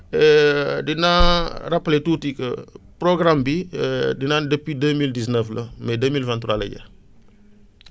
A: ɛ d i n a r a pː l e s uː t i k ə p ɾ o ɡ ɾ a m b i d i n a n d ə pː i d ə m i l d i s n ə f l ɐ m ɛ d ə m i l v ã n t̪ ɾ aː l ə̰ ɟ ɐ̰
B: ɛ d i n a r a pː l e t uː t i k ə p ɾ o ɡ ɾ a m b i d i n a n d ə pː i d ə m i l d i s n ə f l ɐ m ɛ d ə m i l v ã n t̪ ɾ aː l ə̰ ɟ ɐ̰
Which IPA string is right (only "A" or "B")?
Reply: B